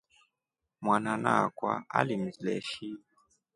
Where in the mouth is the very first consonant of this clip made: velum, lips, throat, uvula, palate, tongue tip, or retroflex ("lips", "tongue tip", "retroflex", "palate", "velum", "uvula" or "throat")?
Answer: lips